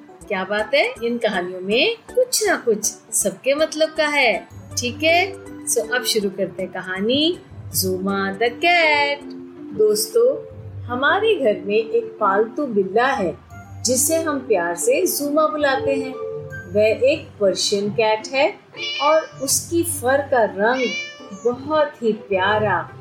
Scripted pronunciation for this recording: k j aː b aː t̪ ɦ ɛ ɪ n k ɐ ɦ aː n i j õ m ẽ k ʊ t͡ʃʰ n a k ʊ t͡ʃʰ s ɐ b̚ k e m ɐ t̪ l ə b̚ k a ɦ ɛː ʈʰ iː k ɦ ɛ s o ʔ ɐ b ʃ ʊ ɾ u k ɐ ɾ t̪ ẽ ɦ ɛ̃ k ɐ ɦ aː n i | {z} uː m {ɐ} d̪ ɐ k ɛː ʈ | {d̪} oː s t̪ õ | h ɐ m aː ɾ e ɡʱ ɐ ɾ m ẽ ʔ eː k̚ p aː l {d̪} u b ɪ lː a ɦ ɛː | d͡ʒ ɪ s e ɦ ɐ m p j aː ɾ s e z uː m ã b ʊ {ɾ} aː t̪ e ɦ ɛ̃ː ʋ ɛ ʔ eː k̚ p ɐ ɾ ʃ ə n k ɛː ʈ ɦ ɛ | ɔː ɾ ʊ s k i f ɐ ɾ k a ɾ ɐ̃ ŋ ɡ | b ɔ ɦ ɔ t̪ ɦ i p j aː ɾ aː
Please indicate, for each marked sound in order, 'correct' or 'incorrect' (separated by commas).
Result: correct, incorrect, correct, incorrect, incorrect